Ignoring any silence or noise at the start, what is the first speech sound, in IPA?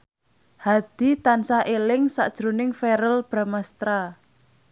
h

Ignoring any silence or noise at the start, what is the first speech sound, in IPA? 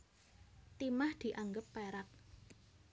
t̪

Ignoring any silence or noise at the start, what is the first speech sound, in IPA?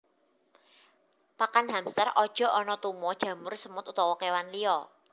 p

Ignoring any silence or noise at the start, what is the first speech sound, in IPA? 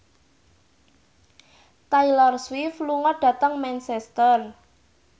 t̪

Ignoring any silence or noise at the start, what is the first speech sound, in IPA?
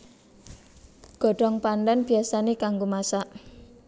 ɡ̥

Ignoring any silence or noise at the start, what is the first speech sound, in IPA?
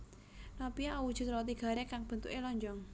n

